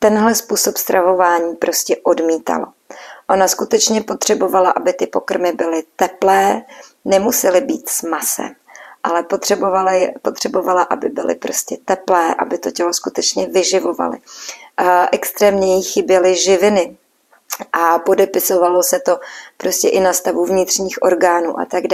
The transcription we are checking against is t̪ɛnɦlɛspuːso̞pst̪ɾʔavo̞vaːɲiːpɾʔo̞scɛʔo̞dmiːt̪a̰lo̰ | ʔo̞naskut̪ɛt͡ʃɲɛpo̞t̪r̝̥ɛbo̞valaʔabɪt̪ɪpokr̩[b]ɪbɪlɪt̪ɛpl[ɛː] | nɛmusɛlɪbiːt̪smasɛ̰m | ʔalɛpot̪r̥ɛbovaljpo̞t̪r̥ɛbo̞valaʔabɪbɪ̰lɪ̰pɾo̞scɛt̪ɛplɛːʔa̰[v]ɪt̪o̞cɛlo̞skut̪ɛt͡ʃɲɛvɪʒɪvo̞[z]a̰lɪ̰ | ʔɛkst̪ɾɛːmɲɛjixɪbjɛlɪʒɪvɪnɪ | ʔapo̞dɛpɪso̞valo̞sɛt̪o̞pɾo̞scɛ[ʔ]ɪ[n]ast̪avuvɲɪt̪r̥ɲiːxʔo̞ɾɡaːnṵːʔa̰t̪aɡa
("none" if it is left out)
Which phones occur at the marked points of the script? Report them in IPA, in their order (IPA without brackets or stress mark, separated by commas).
m, ɛː, b, v, ʔ, n